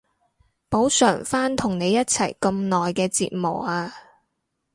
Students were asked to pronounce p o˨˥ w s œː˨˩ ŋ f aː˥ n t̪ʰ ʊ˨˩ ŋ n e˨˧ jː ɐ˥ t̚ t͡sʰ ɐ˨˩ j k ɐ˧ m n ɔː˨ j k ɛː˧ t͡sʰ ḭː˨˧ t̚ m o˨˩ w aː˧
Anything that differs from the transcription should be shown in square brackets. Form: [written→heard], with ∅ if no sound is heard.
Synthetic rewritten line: p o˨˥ w s œː˨˩ ŋ f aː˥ n t̪ʰ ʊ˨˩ ŋ n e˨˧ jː ɐ˥ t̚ t͡sʰ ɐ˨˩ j k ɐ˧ m n ɔː˨ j k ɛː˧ [t͡sʰ→t͡s] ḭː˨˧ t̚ m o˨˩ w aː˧